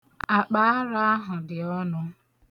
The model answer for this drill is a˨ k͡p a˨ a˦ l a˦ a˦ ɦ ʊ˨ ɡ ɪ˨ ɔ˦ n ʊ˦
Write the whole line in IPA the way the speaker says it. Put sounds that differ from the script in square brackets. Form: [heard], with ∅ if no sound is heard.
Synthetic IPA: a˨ k͡p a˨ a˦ [ɾ] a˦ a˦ ɦ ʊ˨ [d] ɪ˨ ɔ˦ n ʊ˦